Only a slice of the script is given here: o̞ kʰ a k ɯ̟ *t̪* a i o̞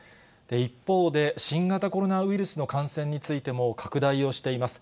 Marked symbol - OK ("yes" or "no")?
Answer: no